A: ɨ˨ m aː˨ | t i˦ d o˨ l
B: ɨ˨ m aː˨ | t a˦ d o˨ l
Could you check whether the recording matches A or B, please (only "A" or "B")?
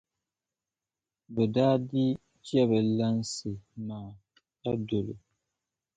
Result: B